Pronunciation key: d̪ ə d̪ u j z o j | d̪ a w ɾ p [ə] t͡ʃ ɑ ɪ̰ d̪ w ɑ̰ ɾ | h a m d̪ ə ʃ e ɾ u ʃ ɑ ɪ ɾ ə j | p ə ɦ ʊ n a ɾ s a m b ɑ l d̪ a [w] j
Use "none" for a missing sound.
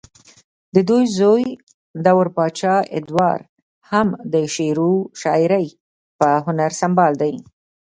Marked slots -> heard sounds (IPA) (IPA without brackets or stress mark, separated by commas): ɑ, none